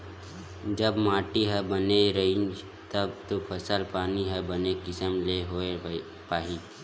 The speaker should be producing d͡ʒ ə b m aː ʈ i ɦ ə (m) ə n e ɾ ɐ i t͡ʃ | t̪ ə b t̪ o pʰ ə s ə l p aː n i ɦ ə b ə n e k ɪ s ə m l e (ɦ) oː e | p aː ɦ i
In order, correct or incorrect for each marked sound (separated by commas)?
incorrect, correct